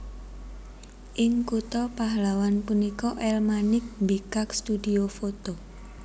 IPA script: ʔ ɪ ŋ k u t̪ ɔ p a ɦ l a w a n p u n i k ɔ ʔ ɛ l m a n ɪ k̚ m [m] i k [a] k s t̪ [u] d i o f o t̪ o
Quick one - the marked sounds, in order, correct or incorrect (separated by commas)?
incorrect, correct, correct